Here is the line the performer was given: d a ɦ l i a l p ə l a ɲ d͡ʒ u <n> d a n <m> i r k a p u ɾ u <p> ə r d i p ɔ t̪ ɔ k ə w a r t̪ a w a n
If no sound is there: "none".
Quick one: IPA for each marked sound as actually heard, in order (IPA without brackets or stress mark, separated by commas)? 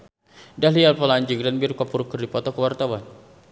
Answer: ŋ, b, k